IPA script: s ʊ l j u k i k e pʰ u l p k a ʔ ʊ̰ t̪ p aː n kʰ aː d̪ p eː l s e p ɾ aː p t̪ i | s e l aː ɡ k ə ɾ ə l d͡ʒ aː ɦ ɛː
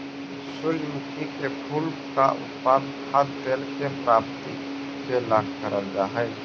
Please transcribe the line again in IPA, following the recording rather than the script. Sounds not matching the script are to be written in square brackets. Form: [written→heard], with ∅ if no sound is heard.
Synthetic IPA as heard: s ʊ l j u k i k e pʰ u l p k a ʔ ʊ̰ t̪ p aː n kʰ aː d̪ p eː l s e p ɾ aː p t̪ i | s e l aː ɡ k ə ɾ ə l d͡ʒ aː ɦ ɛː